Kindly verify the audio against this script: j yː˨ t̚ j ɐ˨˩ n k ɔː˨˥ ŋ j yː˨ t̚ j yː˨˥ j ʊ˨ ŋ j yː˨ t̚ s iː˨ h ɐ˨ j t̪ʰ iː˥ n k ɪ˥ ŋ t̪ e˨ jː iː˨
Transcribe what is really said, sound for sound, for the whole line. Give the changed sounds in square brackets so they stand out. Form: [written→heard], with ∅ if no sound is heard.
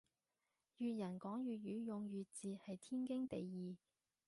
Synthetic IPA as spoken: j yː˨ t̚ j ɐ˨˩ n k ɔː˨˥ ŋ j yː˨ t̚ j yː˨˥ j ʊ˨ ŋ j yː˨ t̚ [s→t͡s] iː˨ h ɐ˨ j t̪ʰ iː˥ n k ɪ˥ ŋ t̪ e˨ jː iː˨